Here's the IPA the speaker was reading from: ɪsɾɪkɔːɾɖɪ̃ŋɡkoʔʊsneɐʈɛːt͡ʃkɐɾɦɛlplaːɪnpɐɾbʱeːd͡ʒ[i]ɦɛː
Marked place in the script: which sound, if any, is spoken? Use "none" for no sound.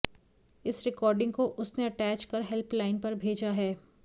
a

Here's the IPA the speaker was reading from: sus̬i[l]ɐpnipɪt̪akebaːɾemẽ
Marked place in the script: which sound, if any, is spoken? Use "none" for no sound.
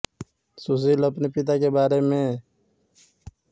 l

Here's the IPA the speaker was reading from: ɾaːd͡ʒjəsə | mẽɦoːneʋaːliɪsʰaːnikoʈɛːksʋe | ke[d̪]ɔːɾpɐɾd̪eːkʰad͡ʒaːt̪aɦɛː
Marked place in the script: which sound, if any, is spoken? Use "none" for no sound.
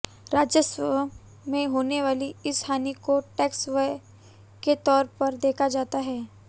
t̪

